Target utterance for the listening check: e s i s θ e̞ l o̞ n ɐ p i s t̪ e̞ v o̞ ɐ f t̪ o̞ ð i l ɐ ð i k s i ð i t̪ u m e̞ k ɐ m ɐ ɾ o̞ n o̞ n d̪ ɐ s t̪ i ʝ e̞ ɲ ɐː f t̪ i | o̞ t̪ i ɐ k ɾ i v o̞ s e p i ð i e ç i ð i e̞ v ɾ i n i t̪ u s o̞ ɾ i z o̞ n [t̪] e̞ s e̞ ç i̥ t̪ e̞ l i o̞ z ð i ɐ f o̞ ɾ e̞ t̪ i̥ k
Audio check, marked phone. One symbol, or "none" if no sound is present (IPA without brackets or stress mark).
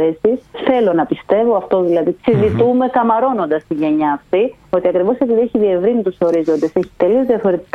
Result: d̪